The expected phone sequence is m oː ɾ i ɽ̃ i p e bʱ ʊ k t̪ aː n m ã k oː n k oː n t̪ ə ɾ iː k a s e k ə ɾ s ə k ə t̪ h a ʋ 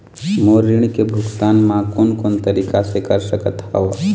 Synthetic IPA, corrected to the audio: m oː ɾ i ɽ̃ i k e bʱ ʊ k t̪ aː n m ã k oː n k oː n t̪ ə ɾ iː k a s e k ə ɾ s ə k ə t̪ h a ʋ